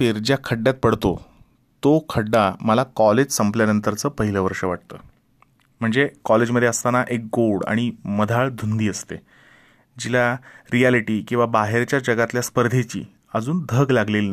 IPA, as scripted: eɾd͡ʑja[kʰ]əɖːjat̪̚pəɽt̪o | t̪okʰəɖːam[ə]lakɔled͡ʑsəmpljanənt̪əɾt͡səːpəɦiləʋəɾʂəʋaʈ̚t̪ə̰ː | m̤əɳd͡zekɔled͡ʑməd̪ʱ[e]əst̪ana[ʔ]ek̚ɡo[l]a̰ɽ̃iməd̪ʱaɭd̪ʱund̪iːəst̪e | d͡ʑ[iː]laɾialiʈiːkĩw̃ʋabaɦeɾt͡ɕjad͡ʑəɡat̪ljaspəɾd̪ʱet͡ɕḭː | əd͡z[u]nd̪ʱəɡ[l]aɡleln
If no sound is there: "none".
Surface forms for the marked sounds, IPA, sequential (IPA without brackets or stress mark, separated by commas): kʰ, ə, e, ʔ, ɽ, i, uː, l